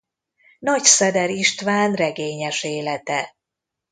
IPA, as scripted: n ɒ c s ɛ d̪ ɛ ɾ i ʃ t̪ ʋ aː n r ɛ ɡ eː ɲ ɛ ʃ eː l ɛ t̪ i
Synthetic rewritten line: n ɒ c s ɛ d̪ ɛ ɾ i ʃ t̪ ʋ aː n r ɛ ɡ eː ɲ ɛ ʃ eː l ɛ t̪ ɛ